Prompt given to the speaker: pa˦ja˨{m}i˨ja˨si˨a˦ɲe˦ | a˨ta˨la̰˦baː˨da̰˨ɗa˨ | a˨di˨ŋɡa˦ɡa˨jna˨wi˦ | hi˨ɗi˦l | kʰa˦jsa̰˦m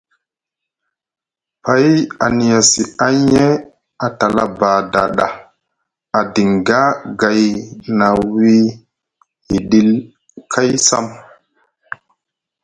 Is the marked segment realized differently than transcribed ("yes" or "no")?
yes